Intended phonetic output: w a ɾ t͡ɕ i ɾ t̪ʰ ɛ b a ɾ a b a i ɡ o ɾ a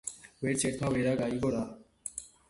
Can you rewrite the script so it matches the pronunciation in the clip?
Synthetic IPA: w e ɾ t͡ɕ e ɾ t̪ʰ a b e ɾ a ɡ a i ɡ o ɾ a